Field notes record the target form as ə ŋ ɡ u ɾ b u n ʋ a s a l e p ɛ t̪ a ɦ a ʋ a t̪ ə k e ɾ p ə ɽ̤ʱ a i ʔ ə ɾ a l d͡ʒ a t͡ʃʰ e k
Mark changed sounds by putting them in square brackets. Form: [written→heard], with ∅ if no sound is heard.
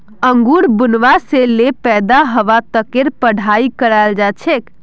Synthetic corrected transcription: ə ŋ ɡ u ɾ b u n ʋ a s [a→e] l e p ɛ [t̪→d̪] a ɦ [a→ə] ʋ a t̪ ə k e ɾ p ə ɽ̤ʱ a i [ʔ→k] ə ɾ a l d͡ʒ a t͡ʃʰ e k